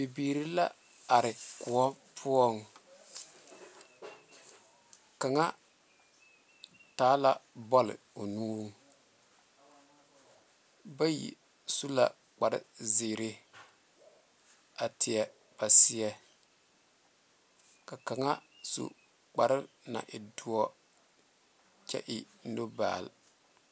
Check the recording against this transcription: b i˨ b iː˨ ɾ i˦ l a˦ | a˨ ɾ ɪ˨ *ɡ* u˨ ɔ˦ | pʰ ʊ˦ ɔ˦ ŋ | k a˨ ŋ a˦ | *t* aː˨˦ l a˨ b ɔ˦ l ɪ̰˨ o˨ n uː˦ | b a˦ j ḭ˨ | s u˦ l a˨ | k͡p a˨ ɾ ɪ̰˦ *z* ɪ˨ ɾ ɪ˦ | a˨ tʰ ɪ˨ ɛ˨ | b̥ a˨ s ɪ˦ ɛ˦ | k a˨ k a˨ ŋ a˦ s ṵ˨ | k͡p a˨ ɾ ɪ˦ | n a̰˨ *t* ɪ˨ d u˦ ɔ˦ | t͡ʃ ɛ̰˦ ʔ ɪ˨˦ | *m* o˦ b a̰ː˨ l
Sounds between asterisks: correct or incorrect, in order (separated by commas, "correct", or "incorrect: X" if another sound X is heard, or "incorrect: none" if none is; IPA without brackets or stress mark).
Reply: incorrect: k, correct, correct, incorrect: ʔ, incorrect: n